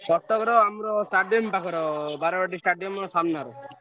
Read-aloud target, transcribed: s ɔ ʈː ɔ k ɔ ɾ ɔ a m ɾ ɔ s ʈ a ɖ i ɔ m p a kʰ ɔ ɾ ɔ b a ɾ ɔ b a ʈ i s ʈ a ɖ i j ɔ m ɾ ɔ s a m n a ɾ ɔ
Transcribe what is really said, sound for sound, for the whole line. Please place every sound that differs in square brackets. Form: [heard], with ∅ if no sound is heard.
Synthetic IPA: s ɔ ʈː ɔ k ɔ ɾ ɔ a m ɾ ɔ s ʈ a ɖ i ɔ m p a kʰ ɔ ɾ ɔ b a ɾ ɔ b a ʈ i s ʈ a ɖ i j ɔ m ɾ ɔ s a m n a ɾ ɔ